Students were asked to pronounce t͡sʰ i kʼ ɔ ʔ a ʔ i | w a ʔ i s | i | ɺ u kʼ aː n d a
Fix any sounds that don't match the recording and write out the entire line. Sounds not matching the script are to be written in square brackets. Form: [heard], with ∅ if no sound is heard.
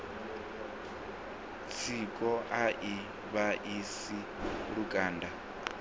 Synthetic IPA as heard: t͡sʰ i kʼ ɔ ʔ a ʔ i | [β] a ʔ i s | i | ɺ u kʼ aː n d a